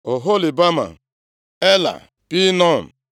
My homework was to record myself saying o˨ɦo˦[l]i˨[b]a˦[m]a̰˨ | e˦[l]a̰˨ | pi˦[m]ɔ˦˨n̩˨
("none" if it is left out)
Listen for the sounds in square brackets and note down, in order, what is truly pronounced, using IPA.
l, b, m, l, n

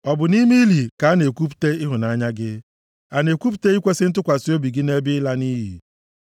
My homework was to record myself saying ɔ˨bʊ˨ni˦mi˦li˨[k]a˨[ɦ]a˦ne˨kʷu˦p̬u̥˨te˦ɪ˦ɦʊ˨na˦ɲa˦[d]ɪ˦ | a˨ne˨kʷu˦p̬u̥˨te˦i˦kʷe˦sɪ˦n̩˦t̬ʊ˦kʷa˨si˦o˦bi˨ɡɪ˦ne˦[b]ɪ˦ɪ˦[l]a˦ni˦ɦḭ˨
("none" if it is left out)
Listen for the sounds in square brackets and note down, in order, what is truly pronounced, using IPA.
k, none, ɡ, b, l

